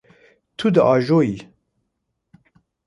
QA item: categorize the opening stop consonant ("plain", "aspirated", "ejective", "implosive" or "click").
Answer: aspirated